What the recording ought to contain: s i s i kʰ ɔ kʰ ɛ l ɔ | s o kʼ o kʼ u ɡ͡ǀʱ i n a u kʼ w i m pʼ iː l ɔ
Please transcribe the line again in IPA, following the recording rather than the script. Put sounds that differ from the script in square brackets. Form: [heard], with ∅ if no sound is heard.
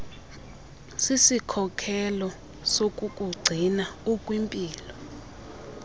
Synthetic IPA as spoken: s i s i kʰ ɔ kʰ ɛ l ɔ | s o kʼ [u] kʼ u ɡ͡ǀʱ i n a u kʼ w i m pʼ iː l ɔ